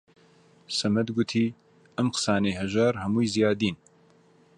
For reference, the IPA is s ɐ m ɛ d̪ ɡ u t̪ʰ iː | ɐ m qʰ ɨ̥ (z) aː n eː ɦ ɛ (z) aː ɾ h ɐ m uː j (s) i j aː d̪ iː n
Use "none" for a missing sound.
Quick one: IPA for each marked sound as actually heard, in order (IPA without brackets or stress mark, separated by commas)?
s, ʒ, z